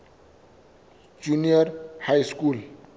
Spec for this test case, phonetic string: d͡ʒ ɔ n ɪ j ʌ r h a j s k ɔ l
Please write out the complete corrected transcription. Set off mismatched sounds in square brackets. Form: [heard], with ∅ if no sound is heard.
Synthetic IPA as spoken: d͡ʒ [u] n [i] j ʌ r h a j s k [u] l

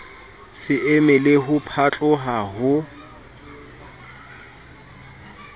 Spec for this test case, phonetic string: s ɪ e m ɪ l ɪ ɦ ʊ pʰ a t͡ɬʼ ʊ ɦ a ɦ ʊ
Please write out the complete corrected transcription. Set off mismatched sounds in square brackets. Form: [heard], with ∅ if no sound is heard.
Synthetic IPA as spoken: s ɪ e m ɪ l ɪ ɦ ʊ pʰ a t͡ɬʼ ʊ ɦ a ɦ ʊ

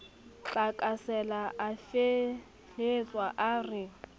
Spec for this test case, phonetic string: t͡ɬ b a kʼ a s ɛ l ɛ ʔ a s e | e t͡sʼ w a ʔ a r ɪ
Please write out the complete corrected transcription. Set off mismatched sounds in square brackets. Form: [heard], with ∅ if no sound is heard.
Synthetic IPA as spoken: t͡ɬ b a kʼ a s ɛ l [a] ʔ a [f] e | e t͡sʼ w a ʔ a r ɪ

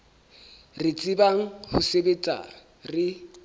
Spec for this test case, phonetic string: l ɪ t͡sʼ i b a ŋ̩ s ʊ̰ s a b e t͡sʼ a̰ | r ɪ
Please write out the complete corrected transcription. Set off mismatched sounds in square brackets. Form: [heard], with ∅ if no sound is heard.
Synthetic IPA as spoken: [r] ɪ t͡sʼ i b a ŋ̩ [h] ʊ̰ s [e] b e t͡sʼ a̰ | r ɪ

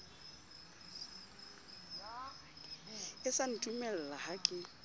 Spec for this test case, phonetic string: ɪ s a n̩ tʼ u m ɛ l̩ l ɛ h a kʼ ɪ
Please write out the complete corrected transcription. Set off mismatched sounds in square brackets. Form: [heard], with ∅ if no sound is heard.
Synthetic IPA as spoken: ɪ s a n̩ tʼ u m ɛ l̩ l [a] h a kʼ ɪ

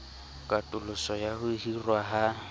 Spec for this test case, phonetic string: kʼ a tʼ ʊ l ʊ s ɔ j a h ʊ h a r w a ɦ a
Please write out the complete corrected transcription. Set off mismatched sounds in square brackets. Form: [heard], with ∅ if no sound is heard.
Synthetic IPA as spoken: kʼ a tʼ ʊ l ʊ s ɔ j a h ʊ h [i] r w a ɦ a

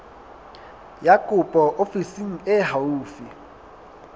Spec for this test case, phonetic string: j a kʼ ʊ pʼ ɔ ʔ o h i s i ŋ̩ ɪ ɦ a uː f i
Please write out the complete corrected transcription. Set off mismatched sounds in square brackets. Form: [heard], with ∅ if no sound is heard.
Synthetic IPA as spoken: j a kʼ ʊ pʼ ɔ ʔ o [f] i s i ŋ̩ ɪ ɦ a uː f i

